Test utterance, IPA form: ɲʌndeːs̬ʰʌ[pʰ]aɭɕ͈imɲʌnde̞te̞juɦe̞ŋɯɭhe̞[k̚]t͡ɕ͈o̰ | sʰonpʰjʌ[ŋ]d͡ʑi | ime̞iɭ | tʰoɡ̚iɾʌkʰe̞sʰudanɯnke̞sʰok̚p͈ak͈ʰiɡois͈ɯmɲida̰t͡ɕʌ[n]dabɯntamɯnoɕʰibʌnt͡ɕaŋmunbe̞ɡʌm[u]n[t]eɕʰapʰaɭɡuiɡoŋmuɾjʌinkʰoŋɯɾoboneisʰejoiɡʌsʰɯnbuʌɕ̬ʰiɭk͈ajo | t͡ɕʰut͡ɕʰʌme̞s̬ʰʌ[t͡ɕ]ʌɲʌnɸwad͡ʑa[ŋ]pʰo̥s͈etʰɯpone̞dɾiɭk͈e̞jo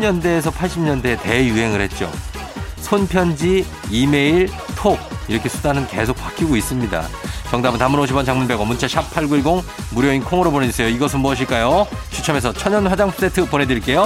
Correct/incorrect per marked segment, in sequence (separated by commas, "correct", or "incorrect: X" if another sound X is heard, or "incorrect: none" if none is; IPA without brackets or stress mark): correct, incorrect: t̚, incorrect: n, incorrect: ŋ, correct, incorrect: t͡ɕʰ, incorrect: t͡ɕʰ, correct